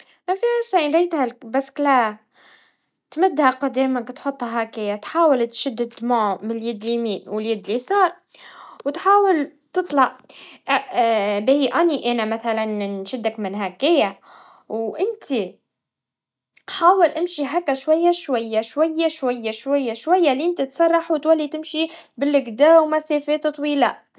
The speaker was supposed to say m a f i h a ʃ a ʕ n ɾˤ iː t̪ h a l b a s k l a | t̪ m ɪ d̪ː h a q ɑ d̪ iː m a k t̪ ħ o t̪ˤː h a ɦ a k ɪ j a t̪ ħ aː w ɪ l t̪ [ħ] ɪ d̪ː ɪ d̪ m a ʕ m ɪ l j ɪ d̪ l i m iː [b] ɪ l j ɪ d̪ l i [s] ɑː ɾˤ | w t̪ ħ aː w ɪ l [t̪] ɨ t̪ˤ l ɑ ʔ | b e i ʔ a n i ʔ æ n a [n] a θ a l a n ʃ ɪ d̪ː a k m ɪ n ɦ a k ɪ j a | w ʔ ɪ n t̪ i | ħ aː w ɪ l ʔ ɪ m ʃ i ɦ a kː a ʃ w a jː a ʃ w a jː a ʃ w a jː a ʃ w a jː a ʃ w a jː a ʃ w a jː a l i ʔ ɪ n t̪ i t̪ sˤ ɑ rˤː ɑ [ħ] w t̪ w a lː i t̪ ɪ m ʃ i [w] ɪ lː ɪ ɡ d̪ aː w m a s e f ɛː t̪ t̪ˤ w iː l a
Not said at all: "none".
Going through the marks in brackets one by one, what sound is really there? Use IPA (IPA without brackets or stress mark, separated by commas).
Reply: ʃ, w, s, t̪, m, ħ, b